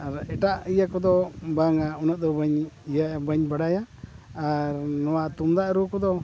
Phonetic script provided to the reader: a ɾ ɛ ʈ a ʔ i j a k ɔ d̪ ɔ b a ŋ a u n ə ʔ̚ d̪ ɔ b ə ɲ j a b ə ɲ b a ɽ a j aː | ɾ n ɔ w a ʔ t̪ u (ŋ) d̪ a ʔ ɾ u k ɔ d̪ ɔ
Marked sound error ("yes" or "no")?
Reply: yes